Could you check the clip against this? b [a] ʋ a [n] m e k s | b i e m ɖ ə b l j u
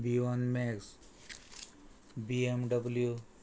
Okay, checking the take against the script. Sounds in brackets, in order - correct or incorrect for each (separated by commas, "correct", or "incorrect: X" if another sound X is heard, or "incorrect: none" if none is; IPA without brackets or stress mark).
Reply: incorrect: i, correct